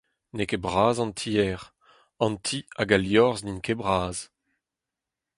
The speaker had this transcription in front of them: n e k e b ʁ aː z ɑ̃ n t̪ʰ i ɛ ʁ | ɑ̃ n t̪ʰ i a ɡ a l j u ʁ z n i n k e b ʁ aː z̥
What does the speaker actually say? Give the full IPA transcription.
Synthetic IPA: n e k e b ʁ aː z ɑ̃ n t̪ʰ i ɛ ʁ | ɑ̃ n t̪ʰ i a ɡ a l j ɔ ʁ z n i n k e b ʁ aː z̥